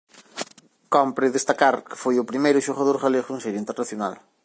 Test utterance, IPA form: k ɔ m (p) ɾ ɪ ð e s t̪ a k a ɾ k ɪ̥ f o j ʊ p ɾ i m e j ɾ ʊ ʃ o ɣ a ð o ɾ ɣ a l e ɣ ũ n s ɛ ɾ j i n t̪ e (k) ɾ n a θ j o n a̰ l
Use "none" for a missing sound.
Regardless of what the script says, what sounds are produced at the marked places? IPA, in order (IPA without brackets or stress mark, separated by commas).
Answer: p, none